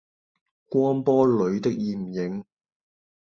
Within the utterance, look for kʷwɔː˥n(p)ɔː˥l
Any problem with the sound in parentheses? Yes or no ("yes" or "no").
no